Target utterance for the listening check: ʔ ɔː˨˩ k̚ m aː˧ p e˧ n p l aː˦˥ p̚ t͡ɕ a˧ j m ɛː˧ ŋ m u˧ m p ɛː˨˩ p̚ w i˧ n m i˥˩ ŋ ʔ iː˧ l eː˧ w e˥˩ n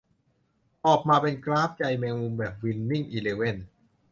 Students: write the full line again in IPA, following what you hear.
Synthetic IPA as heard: ʔ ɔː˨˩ k̚ m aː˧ p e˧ n k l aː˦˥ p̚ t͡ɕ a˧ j m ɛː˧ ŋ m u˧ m b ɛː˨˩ p̚ w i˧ n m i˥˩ ŋ ʔ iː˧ l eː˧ w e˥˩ n